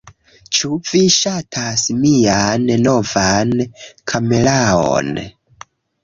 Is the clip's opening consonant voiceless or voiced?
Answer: voiceless